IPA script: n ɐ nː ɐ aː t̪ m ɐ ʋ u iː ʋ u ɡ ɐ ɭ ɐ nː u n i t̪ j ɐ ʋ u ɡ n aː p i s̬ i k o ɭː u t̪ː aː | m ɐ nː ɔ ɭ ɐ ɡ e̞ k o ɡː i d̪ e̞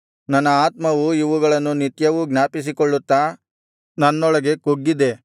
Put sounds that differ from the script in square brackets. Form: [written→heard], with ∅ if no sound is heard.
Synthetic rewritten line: n ɐ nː ɐ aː t̪ m ɐ ʋ u [iː→i] ʋ u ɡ ɐ ɭ ɐ nː u n i t̪ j ɐ ʋ u ɡ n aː p i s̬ i k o ɭː u t̪ː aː | [m→n] ɐ nː ɔ ɭ ɐ ɡ e̞ k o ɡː i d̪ e̞